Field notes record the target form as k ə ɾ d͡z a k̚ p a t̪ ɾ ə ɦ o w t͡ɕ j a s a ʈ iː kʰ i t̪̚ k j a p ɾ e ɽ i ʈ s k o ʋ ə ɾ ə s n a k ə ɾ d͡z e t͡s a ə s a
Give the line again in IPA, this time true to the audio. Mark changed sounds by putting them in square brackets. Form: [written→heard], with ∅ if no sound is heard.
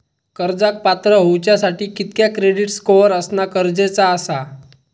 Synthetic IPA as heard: k ə ɾ d͡z a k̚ p a t̪ ɾ ə ɦ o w t͡ɕ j a s a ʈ iː [kʰ→k] i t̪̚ k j a [p→k] ɾ e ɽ i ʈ s k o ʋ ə ɾ ə s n a k ə ɾ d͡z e t͡s a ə s a